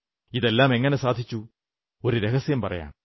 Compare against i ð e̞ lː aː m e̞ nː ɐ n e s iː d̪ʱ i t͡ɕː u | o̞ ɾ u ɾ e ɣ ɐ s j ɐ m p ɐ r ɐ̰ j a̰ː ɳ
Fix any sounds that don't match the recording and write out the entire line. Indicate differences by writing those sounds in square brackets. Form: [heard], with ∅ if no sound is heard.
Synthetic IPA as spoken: i ð e̞ lː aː m e̞ [ŋː] ɐ n e s [aː] d̪ʱ i t͡ɕː u | o̞ ɾ u ɾ e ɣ ɐ s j ɐ m p ɐ r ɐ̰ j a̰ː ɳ